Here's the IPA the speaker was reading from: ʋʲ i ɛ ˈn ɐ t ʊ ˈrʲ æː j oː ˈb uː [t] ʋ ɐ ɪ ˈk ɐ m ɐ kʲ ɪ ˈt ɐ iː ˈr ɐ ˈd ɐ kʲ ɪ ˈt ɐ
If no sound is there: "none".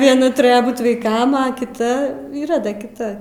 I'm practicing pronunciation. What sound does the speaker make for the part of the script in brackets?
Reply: t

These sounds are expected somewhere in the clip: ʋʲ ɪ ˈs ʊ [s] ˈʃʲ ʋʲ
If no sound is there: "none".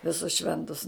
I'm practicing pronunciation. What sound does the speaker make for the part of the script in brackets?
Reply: s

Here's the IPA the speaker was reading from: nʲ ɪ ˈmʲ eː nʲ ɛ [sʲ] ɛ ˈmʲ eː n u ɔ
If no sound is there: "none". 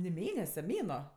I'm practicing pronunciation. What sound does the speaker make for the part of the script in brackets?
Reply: sʲ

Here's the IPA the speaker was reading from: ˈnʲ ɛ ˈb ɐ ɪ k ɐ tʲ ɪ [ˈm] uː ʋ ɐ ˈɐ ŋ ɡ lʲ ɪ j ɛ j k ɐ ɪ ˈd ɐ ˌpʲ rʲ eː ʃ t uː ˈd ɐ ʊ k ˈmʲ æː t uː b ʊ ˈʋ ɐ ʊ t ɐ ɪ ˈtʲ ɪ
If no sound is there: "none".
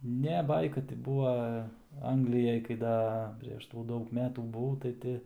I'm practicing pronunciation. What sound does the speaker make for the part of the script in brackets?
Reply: b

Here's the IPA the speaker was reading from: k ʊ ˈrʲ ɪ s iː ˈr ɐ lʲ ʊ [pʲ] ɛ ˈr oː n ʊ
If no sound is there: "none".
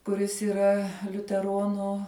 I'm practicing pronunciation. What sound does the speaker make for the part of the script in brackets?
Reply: tʲ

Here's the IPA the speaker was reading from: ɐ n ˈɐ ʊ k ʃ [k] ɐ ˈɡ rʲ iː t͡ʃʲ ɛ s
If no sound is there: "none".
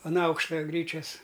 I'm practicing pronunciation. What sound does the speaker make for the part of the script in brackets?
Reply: t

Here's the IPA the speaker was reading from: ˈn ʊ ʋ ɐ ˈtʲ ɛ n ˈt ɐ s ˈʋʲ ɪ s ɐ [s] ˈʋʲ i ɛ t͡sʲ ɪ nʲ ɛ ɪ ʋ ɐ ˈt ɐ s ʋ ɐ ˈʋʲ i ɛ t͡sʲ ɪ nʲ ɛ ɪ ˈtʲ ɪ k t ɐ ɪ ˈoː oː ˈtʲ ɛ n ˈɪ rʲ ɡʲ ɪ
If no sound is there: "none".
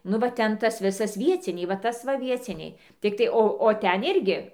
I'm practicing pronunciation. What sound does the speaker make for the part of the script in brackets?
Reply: s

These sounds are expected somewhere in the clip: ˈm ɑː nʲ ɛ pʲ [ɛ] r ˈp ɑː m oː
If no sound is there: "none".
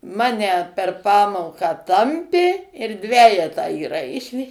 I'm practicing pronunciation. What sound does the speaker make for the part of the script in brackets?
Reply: ɛ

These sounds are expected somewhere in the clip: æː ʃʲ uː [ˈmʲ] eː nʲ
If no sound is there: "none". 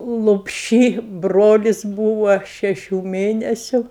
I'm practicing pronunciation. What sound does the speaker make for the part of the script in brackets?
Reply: mʲ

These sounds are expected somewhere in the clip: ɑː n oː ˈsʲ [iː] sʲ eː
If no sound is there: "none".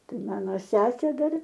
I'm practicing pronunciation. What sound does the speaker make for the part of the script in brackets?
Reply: æː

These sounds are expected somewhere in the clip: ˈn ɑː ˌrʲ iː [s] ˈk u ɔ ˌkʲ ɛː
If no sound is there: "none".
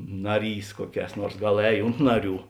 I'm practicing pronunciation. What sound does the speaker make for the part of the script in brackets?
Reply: s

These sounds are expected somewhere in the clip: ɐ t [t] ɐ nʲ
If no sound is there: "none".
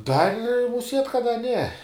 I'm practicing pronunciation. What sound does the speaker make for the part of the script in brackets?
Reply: d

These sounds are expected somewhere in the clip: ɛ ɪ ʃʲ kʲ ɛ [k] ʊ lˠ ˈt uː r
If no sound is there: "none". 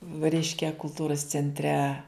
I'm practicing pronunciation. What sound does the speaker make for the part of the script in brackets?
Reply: k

